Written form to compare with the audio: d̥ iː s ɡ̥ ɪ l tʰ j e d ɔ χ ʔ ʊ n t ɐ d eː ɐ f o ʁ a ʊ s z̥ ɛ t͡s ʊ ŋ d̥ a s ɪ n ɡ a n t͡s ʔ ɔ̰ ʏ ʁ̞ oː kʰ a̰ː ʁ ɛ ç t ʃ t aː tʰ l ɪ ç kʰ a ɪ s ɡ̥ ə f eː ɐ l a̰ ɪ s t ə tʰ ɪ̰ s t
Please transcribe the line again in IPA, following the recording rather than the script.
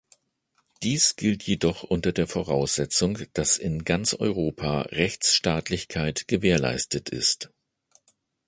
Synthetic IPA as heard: d̥ iː s ɡ̥ ɪ l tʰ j e d ɔ χ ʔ ʊ n t ɐ d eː ɐ f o ʁ a ʊ s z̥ ɛ t͡s ʊ ŋ d̥ a s ɪ n ɡ a n t͡s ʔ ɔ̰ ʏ ʁ̞ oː pʰ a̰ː ʁ ɛ ç t͡s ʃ t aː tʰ l ɪ ç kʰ a ɪ t ɡ̥ ə v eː ɐ l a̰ ɪ s t ə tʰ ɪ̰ s t